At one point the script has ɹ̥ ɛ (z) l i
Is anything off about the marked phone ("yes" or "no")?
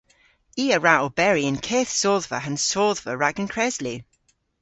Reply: no